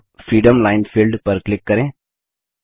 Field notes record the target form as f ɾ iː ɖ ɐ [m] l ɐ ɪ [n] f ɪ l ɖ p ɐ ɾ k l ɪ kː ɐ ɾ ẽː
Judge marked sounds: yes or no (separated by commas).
yes, yes